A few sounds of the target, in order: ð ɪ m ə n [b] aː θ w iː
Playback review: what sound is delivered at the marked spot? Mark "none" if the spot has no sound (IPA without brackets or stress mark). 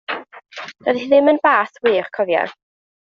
b